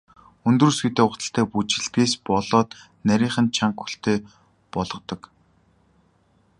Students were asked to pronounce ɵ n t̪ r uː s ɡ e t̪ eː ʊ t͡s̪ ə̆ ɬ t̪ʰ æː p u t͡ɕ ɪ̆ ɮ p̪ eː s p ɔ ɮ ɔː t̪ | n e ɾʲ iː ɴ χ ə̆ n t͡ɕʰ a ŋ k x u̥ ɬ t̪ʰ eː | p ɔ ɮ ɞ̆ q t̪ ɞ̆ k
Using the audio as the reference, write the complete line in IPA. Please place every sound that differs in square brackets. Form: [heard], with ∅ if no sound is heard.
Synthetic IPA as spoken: ɵ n t̪ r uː s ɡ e t̪ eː ʊ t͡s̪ ə̆ ɬ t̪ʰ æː p u t͡ɕ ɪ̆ ɮ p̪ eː s p ɔ ɮ ɔː t̪ | n [æ] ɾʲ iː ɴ χ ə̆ n t͡ɕʰ a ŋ k x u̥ ɬ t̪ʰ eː | p ɔ ɮ ɞ̆ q t̪ ɞ̆ k